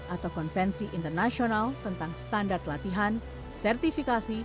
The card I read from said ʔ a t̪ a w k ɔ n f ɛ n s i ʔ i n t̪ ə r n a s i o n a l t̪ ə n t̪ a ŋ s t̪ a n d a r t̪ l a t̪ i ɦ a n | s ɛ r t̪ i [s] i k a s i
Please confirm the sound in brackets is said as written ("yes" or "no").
no